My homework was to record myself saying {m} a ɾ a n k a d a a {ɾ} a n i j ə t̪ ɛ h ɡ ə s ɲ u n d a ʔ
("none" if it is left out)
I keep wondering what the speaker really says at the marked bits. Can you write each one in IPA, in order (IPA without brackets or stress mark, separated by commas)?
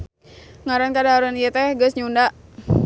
ŋ, ɾ